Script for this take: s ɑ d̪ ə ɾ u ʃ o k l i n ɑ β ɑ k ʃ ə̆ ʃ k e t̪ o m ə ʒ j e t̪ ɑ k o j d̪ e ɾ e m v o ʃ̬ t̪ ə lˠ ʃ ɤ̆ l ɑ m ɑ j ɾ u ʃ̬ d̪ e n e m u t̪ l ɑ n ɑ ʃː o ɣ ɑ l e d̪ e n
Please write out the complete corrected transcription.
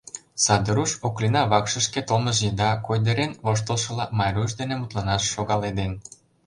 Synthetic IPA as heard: s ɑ d̪ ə ɾ u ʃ o k l i n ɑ β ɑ k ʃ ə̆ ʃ k e t̪ o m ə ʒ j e d̪ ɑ k o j d̪ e ɾ e n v o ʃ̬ t̪ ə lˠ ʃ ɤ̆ l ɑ m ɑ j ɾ u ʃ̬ d̪ e n e m u t̪ l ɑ n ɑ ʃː o ɣ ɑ l e d̪ e n